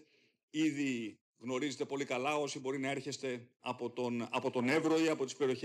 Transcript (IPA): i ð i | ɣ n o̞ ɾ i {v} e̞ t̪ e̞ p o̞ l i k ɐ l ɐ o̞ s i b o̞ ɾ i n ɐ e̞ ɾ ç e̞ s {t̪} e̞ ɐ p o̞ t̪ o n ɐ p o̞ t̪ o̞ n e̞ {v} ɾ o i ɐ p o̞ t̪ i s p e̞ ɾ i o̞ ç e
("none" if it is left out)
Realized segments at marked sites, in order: z, t̪, v

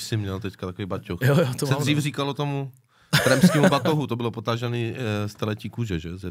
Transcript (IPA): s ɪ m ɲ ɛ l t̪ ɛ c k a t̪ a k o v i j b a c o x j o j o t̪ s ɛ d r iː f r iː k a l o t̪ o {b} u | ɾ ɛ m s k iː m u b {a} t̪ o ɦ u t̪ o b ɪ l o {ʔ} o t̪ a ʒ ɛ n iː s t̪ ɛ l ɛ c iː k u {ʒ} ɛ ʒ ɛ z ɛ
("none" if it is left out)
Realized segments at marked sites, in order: m, a, p, ʒ

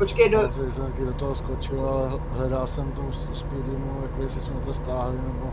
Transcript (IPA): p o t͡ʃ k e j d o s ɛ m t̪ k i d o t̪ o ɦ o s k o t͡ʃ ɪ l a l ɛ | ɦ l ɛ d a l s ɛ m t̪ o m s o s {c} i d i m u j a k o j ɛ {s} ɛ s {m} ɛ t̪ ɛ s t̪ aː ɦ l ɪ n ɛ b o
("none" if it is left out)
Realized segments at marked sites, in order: p, s, m

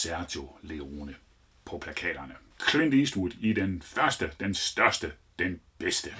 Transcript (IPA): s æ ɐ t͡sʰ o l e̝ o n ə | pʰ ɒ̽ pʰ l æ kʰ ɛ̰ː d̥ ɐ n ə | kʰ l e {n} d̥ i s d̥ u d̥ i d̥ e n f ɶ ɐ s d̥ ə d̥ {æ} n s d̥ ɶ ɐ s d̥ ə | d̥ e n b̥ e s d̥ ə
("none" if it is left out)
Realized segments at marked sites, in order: n, e

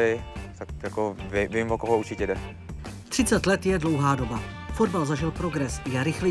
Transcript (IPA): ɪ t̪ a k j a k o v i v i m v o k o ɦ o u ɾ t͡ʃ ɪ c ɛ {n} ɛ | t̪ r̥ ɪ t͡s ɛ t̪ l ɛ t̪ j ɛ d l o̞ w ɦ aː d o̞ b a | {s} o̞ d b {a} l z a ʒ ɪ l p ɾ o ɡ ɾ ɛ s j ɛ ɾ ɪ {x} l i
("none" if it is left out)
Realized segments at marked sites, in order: d, f, a, x

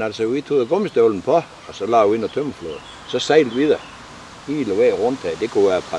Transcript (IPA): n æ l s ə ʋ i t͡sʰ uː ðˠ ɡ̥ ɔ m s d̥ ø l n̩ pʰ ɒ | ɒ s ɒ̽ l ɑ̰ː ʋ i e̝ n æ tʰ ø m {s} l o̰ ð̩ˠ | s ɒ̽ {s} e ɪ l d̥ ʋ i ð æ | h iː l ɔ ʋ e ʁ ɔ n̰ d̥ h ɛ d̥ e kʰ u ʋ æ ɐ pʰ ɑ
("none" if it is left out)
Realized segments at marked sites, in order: f, s

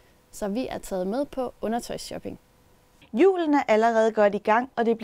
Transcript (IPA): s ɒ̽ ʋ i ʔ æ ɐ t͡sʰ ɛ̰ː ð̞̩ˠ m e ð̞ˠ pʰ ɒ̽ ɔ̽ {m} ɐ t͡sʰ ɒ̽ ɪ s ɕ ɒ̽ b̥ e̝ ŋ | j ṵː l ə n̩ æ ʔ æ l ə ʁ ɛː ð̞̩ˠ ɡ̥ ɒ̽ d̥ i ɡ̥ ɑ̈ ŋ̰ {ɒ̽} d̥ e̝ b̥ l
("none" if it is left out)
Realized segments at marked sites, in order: n, ɒ̽

